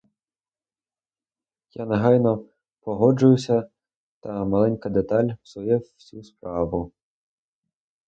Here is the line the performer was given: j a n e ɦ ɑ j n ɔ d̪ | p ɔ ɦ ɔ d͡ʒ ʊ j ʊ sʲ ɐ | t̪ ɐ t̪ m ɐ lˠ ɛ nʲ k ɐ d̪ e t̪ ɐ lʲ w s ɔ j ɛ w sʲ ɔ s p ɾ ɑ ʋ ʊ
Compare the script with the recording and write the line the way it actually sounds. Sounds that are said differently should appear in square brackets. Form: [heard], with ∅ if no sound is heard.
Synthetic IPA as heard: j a n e ɦ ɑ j n ɔ [∅] | p ɔ ɦ ɔ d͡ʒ ʊ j ʊ sʲ ɐ | t̪ ɐ [∅] m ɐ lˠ ɛ nʲ k ɐ d̪ e t̪ [ɑ] lʲ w s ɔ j ɛ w sʲ [u] s p ɾ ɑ ʋ ʊ

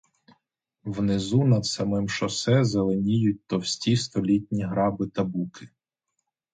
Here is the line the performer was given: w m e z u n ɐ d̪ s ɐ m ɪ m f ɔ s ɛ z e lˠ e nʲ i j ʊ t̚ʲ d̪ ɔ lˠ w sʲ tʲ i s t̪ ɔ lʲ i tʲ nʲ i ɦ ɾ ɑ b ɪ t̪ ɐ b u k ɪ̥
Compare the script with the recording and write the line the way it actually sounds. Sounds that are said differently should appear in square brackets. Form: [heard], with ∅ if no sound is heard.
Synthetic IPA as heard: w [n] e z u n ɐ d̪ s ɐ m ɪ m [ʃ] ɔ s ɛ z e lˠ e nʲ i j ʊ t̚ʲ [t̪] ɔ [∅] w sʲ tʲ i s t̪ ɔ lʲ i tʲ nʲ i ɦ ɾ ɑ b ɪ t̪ ɐ b u k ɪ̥

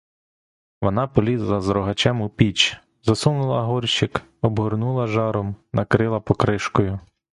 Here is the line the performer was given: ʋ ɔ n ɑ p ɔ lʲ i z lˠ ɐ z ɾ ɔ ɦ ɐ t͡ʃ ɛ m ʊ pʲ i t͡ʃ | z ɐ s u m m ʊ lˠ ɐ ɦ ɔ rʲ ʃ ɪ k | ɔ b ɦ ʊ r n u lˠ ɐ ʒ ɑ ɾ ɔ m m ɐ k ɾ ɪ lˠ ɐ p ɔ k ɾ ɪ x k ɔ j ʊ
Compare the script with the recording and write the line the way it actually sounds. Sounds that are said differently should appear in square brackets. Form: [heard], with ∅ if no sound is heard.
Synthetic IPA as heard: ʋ ɔ n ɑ p ɔ lʲ i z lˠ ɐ z ɾ ɔ ɦ ɐ t͡ʃ ɛ m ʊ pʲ i t͡ʃ | z ɐ s u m [n] ʊ lˠ ɐ ɦ ɔ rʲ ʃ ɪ k | ɔ b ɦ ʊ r n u lˠ ɐ ʒ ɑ ɾ ɔ m [n] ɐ k ɾ ɪ lˠ ɐ p ɔ k ɾ ɪ [ʃ] k ɔ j ʊ

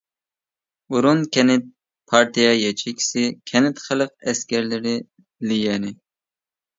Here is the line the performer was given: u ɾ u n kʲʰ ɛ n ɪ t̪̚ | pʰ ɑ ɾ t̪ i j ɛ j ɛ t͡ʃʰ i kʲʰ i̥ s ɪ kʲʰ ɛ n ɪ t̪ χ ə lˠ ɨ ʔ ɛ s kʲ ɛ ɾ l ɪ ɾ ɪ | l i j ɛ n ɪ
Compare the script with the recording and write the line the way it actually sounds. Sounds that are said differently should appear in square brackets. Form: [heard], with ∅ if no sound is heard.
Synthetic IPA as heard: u ɾ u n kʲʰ ɛ n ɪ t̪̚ | pʰ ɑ ɾ t̪ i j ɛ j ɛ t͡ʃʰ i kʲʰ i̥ s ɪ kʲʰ ɛ n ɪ t̪ χ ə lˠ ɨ [q] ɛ s kʲ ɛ ɾ l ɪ ɾ ɪ | l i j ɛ n ɪ

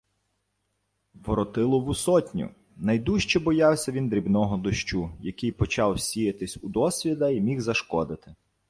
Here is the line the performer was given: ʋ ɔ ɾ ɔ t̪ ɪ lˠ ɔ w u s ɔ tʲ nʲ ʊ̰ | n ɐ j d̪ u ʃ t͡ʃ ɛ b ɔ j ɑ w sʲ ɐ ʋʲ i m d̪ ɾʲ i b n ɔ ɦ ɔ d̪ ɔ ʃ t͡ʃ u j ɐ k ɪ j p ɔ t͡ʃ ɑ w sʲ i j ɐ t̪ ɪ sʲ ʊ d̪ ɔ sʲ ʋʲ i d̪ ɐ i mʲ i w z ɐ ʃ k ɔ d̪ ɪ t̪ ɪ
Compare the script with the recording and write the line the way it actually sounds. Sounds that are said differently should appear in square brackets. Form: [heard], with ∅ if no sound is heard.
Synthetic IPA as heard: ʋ ɔ ɾ ɔ t̪ ɪ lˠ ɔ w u s ɔ tʲ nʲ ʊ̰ | n ɐ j d̪ u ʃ t͡ʃ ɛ b ɔ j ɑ w sʲ ɐ ʋʲ i [n] d̪ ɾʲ i b n ɔ ɦ ɔ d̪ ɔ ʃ t͡ʃ u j ɐ k ɪ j p ɔ t͡ʃ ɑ w sʲ i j ɐ t̪ ɪ sʲ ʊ d̪ ɔ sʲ ʋʲ i d̪ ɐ i mʲ i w z ɐ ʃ k ɔ d̪ ɪ t̪ ɪ

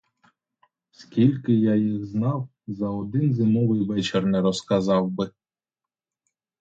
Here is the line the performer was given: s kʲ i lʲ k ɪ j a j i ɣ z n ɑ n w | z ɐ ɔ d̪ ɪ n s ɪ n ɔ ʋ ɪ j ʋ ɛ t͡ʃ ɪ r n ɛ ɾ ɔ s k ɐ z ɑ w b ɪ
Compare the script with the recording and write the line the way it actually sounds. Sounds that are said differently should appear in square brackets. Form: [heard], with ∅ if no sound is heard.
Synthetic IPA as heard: s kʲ i lʲ k ɪ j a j i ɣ z n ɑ [∅] w | z ɐ ɔ d̪ ɪ n [z] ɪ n ɔ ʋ ɪ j ʋ ɛ t͡ʃ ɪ r n ɛ ɾ ɔ s k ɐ z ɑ w b ɪ

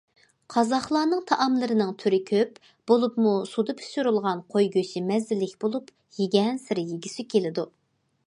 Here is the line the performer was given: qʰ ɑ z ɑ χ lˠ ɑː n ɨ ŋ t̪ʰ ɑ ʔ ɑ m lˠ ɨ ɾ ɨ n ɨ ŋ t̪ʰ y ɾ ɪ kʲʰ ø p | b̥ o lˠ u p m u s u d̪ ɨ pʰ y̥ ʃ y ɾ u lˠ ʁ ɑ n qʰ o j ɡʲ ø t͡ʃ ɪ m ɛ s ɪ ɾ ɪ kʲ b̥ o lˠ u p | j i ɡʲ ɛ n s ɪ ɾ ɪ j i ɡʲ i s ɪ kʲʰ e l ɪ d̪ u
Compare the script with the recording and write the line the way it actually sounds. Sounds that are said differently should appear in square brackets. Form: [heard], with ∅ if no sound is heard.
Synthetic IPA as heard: qʰ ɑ z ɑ χ lˠ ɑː n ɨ ŋ t̪ʰ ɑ ʔ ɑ m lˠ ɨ ɾ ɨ n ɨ ŋ t̪ʰ y ɾ ɪ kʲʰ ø p | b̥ o lˠ u p m u s u d̪ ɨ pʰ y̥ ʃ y ɾ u lˠ ʁ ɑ n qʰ o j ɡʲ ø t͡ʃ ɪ m ɛ [z] ɪ [l] ɪ kʲ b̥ o lˠ u p | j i ɡʲ ɛ n s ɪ ɾ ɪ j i ɡʲ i s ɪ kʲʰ e l ɪ d̪ u

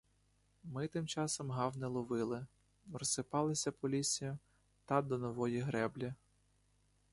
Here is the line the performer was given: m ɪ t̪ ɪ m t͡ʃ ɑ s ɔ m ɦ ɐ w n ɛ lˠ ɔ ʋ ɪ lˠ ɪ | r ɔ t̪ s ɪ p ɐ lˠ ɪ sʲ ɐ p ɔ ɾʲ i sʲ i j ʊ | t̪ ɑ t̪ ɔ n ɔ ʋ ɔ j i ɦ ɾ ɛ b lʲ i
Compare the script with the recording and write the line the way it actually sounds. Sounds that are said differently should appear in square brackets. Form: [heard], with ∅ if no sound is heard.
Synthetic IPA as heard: m ɪ t̪ ɪ m t͡ʃ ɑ s ɔ m ɦ [ɑ] w n ɛ lˠ ɔ ʋ ɪ lˠ ɪ | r ɔ [∅] s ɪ p [ɑ] lˠ ɪ sʲ ɐ p ɔ [lʲ] i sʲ i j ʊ | t̪ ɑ [d̪] ɔ n ɔ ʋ ɔ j i ɦ ɾ ɛ b lʲ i

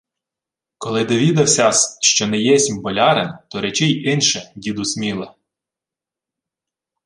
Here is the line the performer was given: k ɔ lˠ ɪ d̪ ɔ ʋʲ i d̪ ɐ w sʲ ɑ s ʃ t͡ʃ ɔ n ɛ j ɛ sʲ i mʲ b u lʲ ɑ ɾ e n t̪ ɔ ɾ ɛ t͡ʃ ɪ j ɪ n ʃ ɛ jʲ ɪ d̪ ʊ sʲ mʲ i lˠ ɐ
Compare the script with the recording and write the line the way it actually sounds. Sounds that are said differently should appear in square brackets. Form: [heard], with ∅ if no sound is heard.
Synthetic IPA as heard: k ɔ lˠ ɪ d̪ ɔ ʋʲ i d̪ ɐ w sʲ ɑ s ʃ t͡ʃ ɔ n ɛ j ɛ sʲ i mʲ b [ɔ] lʲ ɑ ɾ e n t̪ ɔ ɾ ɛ t͡ʃ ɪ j ɪ n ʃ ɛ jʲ [i] d̪ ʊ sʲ mʲ i lˠ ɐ

